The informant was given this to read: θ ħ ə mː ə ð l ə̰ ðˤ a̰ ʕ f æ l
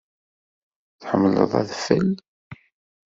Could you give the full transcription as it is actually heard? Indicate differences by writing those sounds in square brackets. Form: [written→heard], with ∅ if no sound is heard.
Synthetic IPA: θ ħ ə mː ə [ð→∅] l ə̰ ðˤ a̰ [ʕ→ð] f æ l